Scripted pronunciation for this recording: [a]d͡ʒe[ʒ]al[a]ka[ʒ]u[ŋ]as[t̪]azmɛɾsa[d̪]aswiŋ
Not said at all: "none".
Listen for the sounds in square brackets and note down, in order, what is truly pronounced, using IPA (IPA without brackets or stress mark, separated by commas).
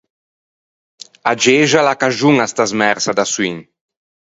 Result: a, ʒ, a, ʒ, ŋ, t̪, d̪